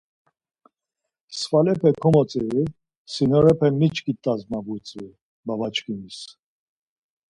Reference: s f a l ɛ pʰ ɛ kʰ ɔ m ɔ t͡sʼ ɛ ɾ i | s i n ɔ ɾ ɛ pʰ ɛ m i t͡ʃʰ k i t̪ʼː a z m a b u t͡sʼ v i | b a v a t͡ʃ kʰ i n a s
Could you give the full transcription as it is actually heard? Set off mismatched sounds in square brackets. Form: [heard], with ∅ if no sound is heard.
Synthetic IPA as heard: s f a l ɛ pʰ ɛ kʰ ɔ m ɔ t͡sʼ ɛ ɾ i | s i n ɔ ɾ ɛ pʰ ɛ m i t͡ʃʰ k i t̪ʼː a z m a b u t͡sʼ v i | b a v a t͡ʃ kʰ i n [i] s